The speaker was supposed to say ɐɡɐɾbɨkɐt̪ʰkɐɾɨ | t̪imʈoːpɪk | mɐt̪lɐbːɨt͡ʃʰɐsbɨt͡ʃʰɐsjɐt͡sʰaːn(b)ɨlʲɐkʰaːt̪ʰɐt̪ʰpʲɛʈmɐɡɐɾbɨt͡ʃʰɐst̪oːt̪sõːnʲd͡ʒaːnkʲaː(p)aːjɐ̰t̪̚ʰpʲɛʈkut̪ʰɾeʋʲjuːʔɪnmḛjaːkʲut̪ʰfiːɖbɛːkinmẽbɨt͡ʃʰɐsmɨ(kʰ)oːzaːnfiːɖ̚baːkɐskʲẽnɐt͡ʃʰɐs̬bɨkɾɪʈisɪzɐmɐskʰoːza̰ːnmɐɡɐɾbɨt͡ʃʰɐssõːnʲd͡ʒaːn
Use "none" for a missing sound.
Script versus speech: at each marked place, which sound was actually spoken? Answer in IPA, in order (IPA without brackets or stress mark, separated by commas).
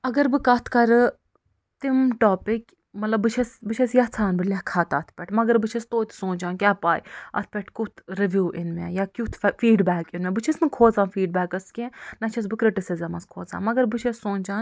b, p, kʰ